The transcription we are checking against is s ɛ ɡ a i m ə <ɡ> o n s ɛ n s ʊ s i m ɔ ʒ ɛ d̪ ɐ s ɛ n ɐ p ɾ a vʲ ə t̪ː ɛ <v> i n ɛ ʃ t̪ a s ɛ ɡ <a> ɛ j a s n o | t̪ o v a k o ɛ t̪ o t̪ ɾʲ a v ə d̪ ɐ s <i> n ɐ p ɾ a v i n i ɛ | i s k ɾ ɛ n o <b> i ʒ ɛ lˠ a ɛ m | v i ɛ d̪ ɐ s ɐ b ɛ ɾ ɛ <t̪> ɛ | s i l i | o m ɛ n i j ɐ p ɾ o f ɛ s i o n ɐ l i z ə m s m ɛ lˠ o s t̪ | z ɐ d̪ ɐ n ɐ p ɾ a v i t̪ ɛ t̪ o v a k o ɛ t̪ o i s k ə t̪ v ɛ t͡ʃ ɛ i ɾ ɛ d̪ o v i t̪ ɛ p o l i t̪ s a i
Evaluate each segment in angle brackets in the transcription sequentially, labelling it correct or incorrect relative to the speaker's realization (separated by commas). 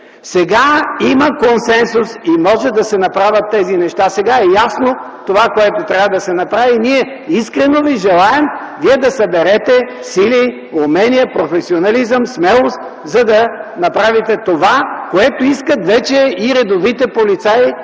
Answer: incorrect, incorrect, correct, incorrect, incorrect, correct